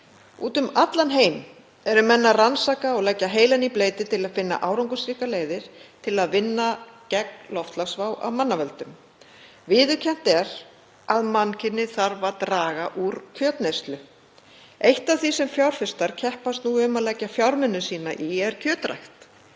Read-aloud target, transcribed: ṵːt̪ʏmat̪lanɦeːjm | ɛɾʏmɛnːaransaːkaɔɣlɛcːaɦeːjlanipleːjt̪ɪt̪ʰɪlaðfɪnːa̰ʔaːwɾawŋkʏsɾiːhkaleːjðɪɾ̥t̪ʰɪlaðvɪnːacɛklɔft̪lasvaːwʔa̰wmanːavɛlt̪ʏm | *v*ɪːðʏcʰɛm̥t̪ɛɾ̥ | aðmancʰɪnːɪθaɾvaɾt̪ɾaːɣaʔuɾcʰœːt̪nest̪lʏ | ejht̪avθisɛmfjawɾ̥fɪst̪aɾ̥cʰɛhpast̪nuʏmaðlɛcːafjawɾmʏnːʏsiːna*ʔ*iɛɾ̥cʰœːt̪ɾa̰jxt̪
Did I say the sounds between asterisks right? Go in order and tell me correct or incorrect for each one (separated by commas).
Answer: correct, correct